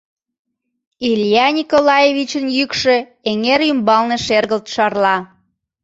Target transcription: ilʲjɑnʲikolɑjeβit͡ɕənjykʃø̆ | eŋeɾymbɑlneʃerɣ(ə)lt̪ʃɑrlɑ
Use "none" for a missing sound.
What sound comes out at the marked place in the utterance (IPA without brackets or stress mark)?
ə